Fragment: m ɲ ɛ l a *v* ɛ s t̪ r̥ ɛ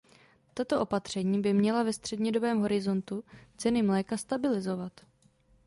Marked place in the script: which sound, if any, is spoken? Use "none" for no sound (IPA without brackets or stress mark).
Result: v